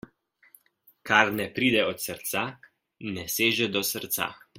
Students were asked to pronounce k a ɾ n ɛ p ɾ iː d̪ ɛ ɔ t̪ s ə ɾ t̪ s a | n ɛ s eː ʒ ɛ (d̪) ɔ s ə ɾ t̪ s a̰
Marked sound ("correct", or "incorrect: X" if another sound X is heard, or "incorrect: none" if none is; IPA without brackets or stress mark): correct